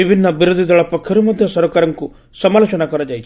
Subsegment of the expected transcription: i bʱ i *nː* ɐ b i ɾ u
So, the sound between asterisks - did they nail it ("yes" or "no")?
yes